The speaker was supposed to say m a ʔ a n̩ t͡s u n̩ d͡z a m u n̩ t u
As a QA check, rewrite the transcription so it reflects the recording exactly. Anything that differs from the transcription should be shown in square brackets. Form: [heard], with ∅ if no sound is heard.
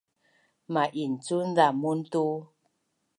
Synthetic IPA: m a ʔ [i] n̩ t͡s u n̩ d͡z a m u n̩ t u